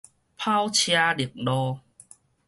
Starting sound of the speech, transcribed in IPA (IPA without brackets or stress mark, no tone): pʰ